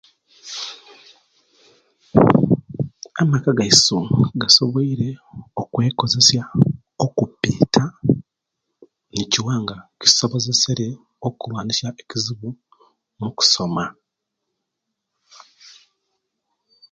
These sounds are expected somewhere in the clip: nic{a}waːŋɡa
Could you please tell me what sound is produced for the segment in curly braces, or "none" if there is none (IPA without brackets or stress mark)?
i